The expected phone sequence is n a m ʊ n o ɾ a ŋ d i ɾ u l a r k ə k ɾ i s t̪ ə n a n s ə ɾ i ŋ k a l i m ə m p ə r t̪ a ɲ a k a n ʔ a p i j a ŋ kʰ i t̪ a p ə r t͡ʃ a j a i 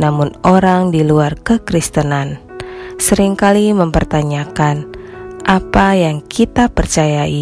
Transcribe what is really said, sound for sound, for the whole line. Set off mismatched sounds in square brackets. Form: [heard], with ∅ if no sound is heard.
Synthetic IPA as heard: n a m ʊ n o ɾ a ŋ d i [l] u [∅] a r k ə k ɾ i s t̪ ə n a n s ə ɾ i ŋ k a l i m ə m p ə r t̪ a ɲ a k a n ʔ a p [a] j a ŋ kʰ i t̪ a p ə r t͡ʃ a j a i